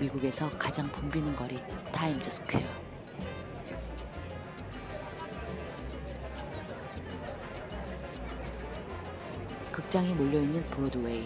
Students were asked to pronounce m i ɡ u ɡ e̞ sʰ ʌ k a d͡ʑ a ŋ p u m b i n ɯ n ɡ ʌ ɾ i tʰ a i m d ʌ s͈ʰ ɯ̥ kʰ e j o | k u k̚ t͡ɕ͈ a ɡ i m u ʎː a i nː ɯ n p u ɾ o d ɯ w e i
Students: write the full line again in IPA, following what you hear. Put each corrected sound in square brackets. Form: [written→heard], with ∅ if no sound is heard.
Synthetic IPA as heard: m i ɡ u ɡ e̞ sʰ ʌ k a d͡ʑ a ŋ p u m b i n ɯ n ɡ ʌ ɾ i tʰ a i m [d→d͡ʑ] ʌ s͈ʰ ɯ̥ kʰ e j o | k [u→ɯ] k̚ t͡ɕ͈ a [ɡ→ŋ] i m [u→o] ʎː [a→ʌ] i nː ɯ n p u ɾ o d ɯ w e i

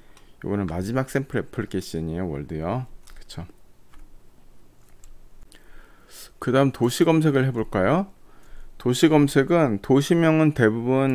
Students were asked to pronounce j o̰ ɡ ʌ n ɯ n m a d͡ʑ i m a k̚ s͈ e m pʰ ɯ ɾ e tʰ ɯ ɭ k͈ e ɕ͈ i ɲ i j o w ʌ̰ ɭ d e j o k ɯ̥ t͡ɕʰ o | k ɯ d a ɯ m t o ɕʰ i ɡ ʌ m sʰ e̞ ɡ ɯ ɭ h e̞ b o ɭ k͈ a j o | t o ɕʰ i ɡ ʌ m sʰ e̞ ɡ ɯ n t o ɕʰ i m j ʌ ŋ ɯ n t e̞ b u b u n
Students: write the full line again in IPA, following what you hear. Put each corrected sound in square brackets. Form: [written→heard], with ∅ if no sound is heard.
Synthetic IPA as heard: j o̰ ɡ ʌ n ɯ n m a d͡ʑ i m a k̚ s͈ e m pʰ ɯ ɾ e [tʰ→pʰ] ɯ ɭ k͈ e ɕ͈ i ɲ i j o w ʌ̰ ɭ d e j o k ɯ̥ t͡ɕʰ o | k ɯ d a ɯ m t o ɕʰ i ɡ ʌ m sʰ e̞ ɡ ɯ ɭ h e̞ b o ɭ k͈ a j o | t o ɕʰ i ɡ ʌ m sʰ e̞ ɡ ɯ n t o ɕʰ i m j ʌ ŋ ɯ n t e̞ b u b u n

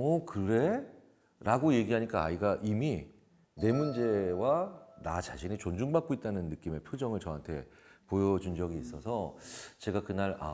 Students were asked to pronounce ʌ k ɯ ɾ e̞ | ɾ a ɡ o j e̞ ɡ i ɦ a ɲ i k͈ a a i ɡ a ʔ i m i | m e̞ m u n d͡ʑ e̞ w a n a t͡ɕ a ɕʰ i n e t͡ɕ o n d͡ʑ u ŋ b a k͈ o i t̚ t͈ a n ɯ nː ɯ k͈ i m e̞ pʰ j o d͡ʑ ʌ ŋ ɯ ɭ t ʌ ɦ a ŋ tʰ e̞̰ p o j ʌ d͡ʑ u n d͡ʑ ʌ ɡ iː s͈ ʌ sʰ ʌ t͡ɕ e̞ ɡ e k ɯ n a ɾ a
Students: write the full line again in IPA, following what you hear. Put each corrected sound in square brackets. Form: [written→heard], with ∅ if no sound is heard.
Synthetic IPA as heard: ʌ k ɯ ɾ e̞ | ɾ a ɡ o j e̞ ɡ i ɦ a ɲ i k͈ a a i ɡ a ʔ i m i | [m→n] e̞ m u n d͡ʑ e̞ w a n a t͡ɕ a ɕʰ i n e t͡ɕ o n d͡ʑ u ŋ b a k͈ o i t̚ t͈ a n ɯ nː ɯ k͈ i m e̞ pʰ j o d͡ʑ ʌ ŋ ɯ ɭ [t→t͡ɕ] ʌ ɦ a [ŋ→n] tʰ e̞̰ p o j ʌ d͡ʑ u n d͡ʑ ʌ ɡ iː s͈ ʌ sʰ ʌ t͡ɕ e̞ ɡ [e→a] k ɯ n a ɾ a

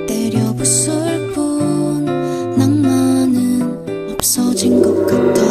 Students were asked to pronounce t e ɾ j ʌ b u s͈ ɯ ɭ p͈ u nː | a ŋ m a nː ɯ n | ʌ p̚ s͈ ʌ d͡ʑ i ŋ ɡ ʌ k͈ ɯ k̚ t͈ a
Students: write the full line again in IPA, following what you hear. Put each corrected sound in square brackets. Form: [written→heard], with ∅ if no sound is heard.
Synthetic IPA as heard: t e ɾ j ʌ b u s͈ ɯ ɭ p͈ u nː | a ŋ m a [nː→n] ɯ n | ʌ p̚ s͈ ʌ d͡ʑ i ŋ ɡ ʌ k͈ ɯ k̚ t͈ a

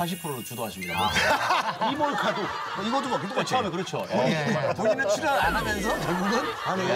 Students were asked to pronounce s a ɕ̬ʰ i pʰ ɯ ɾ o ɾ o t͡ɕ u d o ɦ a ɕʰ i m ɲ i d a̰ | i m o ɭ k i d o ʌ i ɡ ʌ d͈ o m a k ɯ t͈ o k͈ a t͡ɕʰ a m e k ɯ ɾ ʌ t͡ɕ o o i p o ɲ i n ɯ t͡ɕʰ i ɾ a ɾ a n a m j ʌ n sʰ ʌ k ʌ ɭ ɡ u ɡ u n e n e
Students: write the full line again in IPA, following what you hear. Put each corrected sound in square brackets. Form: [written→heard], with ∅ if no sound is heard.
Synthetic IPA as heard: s a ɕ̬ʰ i pʰ ɯ ɾ o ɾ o t͡ɕ u d o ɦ a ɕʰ i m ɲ i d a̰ | i m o ɭ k [i→a] d o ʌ i ɡ ʌ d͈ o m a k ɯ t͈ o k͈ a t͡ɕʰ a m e k ɯ ɾ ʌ [t͡ɕ→t͡ɕʰ] o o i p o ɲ i n ɯ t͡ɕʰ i ɾ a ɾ a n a m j ʌ n sʰ ʌ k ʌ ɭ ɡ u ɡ [u→ɯ] n [e→a] n e

